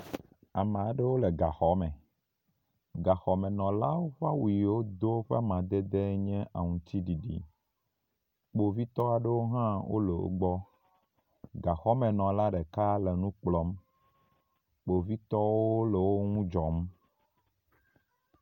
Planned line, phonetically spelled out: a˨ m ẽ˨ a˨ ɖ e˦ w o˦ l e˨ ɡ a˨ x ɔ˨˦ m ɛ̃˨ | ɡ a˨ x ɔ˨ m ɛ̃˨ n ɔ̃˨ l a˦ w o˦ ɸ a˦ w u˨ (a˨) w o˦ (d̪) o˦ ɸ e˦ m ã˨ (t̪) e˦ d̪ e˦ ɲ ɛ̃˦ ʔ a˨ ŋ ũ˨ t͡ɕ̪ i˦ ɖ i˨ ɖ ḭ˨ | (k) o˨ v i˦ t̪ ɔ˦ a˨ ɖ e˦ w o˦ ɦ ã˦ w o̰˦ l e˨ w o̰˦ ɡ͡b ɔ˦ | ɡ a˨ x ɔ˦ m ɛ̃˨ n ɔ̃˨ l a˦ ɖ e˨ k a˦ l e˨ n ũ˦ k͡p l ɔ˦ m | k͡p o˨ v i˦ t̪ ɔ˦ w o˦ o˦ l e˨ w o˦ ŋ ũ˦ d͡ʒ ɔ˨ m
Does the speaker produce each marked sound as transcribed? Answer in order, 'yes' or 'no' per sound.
no, yes, no, no

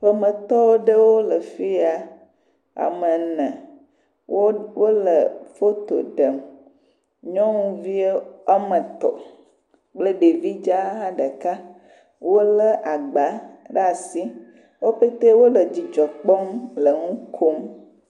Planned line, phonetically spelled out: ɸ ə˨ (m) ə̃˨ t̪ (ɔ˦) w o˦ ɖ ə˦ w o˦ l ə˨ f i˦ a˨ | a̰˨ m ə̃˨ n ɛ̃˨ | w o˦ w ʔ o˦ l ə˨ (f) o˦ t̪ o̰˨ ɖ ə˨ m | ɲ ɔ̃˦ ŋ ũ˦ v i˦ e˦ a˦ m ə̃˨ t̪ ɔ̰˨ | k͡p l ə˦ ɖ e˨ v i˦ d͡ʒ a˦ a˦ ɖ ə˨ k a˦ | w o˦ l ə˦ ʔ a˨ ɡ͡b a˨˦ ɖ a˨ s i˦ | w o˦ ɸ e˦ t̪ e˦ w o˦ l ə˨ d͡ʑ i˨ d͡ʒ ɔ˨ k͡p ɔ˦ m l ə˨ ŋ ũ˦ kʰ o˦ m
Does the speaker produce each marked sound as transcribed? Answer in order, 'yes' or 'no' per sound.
yes, yes, yes

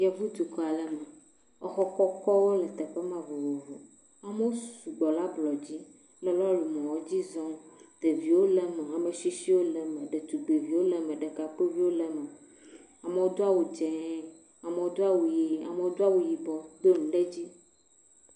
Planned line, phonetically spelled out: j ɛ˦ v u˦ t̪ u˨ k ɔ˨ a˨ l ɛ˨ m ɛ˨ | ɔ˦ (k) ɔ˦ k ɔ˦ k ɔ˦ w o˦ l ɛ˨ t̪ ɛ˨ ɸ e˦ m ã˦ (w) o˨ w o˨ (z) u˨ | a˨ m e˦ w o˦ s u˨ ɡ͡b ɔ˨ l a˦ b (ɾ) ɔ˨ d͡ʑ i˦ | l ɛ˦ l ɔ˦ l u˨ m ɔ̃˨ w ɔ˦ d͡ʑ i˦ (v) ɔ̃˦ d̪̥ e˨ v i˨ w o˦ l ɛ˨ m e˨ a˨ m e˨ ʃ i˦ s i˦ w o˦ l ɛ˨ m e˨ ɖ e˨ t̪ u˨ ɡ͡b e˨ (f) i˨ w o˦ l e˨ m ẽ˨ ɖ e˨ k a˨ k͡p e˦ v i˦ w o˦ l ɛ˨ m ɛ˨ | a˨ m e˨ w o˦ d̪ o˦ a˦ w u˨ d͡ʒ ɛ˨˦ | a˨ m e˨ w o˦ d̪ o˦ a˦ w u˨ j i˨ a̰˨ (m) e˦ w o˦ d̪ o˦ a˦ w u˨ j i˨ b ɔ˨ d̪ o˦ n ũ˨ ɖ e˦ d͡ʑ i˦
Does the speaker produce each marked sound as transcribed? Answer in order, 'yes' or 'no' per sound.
no, no, no, no, no, no, yes

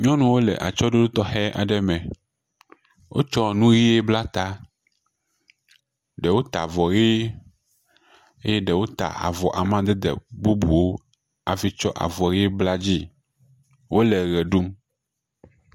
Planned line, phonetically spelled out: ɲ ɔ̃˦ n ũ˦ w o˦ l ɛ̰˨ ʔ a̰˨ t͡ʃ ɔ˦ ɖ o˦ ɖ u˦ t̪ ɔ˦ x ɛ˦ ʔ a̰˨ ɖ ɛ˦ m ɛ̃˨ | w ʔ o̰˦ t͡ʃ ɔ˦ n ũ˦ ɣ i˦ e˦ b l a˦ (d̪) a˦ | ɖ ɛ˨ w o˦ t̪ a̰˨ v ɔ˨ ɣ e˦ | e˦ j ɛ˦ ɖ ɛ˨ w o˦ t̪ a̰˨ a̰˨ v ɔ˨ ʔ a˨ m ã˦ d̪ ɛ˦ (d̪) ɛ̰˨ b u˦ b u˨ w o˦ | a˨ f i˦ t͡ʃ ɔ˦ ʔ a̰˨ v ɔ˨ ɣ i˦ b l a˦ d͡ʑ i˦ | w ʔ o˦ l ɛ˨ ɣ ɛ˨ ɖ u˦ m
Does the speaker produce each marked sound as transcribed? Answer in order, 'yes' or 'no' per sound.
no, yes

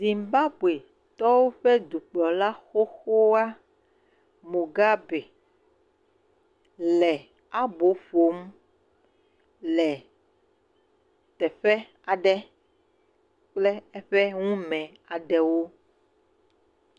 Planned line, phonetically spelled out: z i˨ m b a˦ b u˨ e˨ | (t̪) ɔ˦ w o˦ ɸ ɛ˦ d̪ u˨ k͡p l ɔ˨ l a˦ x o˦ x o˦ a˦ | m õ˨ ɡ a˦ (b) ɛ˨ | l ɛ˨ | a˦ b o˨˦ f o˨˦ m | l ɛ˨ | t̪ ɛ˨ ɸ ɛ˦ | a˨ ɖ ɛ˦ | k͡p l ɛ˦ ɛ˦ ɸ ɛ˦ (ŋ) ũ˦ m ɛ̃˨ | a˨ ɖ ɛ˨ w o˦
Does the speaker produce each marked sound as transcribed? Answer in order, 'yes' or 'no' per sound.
yes, yes, yes

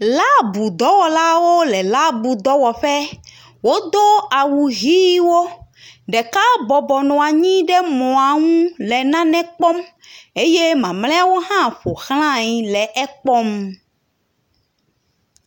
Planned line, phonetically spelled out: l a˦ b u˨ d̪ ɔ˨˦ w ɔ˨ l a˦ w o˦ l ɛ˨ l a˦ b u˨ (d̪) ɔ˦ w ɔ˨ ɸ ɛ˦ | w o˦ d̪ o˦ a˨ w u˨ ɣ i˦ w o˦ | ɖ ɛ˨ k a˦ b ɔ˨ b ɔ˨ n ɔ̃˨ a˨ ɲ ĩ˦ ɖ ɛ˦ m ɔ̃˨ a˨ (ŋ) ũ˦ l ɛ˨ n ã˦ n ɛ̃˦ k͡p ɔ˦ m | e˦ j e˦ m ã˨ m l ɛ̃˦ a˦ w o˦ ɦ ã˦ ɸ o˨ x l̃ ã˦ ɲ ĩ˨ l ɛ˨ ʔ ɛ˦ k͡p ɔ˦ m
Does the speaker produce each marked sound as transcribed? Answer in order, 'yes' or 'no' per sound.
yes, yes

